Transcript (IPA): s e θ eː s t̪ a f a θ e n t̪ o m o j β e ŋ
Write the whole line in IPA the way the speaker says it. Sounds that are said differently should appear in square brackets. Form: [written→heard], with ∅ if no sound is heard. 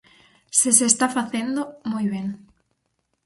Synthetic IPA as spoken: s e [θ→s] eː s t̪ a f a θ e n [t̪→d̪] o m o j β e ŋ